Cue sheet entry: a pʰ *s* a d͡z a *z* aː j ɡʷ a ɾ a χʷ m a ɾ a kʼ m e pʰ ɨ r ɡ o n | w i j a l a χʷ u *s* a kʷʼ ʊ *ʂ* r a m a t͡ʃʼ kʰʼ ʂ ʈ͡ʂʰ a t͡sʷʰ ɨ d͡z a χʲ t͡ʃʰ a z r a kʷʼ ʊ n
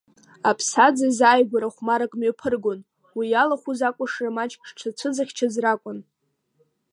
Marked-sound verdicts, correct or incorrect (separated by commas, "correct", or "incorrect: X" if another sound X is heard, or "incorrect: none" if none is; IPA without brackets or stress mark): correct, correct, incorrect: z, correct